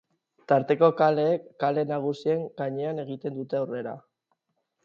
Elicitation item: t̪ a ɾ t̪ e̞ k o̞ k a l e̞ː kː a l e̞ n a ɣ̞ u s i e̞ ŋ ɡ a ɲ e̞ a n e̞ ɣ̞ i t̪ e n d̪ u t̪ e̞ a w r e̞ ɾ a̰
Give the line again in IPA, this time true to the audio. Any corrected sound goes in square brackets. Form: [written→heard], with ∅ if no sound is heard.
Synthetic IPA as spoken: t̪ a ɾ t̪ e̞ k o̞ k a l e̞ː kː a l e̞ n a ɣ̞ u s i e̞ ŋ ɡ a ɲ e̞ a n e̞ ɣ̞ i t̪ e n d̪ u t̪ e̞ a w r e̞ ɾ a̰